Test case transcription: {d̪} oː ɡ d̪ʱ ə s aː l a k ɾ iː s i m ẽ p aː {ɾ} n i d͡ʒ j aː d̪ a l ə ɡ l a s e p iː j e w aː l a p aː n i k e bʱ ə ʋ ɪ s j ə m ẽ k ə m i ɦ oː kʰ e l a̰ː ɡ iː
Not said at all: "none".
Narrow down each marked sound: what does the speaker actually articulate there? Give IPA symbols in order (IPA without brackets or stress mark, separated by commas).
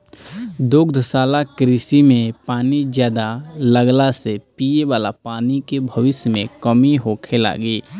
d̪, none